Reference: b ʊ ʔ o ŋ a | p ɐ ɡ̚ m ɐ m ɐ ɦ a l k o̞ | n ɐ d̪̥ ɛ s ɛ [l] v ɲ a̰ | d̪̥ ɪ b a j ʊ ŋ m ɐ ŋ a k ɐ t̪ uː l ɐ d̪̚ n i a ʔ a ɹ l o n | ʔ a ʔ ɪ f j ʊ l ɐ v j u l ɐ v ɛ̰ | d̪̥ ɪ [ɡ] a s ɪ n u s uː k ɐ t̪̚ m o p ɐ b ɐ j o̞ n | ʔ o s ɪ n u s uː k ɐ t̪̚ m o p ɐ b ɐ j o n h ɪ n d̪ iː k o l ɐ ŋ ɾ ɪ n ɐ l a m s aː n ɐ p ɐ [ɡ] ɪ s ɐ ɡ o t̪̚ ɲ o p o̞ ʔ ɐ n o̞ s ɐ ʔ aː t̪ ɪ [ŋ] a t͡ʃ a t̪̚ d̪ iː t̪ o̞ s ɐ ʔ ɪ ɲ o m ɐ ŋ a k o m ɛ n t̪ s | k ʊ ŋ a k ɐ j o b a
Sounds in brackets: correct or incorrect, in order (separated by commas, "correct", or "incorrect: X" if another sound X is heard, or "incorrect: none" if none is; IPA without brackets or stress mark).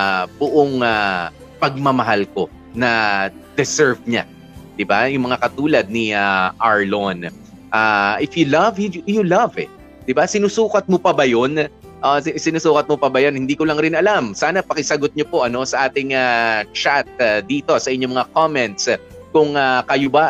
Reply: incorrect: ɹ, incorrect: b, incorrect: k, correct